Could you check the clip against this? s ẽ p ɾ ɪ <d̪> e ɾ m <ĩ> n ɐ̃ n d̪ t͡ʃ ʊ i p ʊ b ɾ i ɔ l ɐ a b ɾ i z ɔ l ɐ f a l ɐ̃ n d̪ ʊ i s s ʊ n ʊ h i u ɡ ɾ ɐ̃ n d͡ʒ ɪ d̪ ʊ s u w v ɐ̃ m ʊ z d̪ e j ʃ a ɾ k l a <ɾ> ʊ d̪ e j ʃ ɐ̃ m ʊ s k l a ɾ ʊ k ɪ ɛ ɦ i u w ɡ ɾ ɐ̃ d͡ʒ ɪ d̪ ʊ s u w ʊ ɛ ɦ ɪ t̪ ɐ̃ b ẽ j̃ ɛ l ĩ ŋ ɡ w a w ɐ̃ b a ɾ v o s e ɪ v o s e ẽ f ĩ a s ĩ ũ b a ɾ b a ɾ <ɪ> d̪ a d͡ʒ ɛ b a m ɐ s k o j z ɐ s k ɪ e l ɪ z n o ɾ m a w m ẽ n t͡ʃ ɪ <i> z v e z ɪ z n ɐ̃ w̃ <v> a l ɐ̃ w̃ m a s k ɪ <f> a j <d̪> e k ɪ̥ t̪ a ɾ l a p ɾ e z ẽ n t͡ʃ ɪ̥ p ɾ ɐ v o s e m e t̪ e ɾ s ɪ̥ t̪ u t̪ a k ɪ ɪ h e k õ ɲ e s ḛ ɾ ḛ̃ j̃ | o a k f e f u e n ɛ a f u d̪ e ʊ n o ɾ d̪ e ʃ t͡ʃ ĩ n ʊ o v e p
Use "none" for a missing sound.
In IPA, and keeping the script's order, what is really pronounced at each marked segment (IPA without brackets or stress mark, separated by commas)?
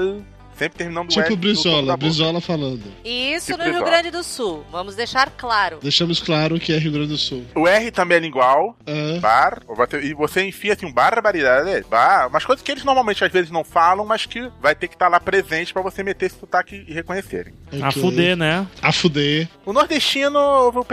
t̪, i, ɾ, i, a, f, v, t̪